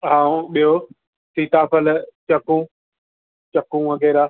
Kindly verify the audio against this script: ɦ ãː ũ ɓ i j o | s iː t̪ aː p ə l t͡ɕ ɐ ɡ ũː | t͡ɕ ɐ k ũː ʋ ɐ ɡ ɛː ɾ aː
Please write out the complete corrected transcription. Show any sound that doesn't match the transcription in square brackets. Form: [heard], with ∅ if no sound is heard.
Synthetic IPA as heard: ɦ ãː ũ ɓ i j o | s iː t̪ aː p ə l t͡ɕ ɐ [k] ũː | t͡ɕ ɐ k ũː ʋ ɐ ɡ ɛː ɾ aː